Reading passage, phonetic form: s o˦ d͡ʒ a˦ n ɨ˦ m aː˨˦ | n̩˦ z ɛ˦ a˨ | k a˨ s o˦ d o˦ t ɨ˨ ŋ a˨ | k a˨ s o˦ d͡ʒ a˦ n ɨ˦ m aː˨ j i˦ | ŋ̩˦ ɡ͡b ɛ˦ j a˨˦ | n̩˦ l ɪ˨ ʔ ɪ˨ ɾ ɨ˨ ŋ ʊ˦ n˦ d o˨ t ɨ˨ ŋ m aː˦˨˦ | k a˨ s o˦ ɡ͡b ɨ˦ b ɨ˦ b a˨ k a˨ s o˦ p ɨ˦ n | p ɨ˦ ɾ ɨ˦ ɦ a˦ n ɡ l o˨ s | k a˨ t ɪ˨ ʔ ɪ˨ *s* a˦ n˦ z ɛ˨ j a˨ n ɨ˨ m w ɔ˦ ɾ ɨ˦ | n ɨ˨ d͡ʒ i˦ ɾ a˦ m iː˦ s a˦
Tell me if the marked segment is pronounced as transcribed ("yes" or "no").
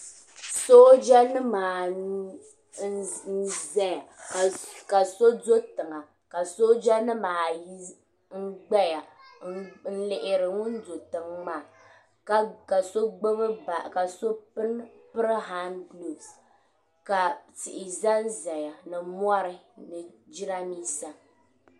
no